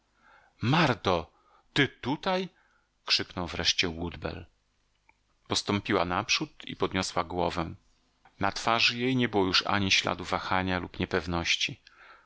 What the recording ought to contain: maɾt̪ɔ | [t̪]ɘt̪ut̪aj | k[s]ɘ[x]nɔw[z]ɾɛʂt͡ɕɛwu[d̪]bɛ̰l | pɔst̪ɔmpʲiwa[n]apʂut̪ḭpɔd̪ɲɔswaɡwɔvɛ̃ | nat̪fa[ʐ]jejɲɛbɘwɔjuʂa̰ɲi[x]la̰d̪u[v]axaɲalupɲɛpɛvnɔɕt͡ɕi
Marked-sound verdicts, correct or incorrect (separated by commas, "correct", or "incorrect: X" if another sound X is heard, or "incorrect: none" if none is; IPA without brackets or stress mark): correct, incorrect: ʂ, incorrect: k, incorrect: v, correct, correct, correct, incorrect: ɕ, correct